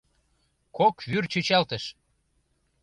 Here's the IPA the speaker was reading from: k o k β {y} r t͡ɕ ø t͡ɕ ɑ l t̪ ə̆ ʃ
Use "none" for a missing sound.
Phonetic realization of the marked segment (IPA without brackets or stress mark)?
y